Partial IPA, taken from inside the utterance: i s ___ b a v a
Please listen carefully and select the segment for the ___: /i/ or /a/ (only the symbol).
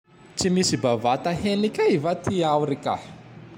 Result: i